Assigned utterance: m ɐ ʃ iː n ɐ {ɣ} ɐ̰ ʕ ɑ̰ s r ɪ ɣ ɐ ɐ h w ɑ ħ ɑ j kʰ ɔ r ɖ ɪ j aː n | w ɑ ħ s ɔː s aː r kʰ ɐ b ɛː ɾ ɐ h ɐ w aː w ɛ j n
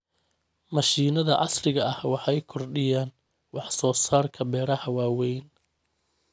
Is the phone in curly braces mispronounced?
yes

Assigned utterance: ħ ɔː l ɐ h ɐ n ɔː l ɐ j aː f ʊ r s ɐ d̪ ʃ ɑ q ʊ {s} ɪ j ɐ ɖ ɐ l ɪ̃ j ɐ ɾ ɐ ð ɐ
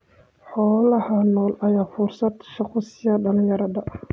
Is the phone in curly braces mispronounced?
no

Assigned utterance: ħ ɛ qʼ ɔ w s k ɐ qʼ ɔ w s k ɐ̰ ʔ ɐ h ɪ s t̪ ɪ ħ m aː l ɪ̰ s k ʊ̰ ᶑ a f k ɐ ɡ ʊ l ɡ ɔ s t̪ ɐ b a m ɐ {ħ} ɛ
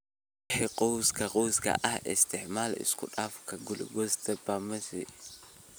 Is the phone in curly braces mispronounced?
yes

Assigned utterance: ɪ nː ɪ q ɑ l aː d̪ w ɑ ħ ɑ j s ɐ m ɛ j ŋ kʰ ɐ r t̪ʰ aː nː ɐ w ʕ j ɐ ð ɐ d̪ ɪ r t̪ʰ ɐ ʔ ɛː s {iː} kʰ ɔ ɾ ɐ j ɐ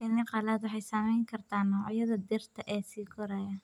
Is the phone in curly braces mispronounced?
no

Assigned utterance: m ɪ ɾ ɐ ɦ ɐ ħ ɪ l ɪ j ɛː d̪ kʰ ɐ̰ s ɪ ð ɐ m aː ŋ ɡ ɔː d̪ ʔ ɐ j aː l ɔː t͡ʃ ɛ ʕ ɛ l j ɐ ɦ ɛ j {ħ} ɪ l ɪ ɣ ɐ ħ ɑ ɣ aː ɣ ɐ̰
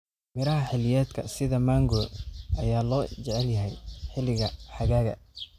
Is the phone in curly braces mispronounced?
no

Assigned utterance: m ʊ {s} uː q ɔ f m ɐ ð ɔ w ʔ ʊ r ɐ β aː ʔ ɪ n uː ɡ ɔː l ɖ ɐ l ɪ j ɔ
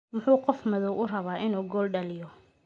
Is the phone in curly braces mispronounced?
yes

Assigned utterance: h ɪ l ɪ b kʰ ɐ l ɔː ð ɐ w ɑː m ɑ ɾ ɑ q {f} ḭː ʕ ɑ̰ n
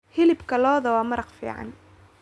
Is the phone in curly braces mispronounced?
no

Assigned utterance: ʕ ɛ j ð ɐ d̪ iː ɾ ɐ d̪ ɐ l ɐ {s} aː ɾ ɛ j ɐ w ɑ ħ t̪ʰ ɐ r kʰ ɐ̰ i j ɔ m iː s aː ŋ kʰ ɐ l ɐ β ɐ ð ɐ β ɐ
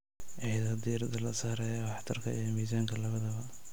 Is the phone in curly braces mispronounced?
no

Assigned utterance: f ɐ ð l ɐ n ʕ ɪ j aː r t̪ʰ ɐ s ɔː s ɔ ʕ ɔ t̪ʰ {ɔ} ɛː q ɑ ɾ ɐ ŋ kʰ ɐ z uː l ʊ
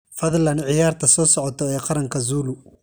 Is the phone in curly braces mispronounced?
no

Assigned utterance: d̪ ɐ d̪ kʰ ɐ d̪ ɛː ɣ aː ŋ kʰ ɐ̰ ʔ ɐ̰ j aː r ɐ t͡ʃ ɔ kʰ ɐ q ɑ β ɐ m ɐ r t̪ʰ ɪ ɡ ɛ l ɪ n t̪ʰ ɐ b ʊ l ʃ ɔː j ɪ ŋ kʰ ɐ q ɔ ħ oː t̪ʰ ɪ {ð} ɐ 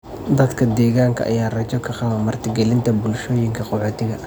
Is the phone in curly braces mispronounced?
yes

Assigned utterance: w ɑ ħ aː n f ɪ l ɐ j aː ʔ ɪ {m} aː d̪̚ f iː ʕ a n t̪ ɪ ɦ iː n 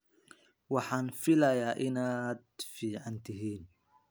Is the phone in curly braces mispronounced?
yes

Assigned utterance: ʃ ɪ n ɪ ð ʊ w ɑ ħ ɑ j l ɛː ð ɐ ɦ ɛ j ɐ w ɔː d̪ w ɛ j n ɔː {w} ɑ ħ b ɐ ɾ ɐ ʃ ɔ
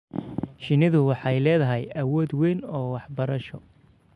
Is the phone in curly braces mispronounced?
no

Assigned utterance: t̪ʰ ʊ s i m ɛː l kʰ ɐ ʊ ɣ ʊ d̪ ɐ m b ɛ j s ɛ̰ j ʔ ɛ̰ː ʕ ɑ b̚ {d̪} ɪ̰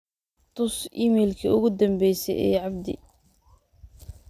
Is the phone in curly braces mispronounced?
no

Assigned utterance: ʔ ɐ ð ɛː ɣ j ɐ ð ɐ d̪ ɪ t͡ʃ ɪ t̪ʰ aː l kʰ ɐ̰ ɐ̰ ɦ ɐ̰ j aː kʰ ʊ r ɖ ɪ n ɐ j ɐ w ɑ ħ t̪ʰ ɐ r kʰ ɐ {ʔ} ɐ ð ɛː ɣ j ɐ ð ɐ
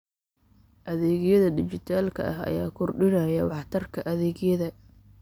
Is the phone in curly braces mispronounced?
no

